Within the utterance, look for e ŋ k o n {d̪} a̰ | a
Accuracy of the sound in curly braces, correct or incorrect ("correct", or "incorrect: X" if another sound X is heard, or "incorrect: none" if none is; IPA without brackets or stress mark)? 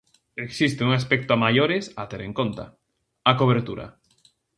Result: incorrect: t̪